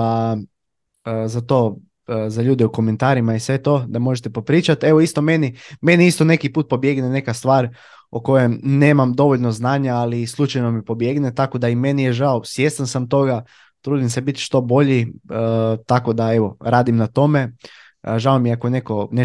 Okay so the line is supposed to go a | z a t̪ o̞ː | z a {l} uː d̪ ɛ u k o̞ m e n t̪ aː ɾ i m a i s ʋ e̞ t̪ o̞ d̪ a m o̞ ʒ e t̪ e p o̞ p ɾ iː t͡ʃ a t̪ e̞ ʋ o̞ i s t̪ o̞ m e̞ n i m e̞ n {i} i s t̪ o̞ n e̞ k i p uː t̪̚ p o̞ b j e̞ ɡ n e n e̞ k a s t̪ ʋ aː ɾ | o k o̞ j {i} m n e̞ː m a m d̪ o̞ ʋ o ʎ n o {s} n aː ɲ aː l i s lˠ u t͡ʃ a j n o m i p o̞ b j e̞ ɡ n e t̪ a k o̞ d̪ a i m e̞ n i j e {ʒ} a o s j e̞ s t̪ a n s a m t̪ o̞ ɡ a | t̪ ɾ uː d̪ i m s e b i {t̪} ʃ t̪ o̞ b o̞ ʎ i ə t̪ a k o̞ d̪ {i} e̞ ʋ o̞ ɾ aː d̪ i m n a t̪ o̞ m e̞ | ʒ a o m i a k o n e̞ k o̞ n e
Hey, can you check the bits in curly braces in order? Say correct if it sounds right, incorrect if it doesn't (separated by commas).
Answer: incorrect, correct, incorrect, incorrect, correct, correct, incorrect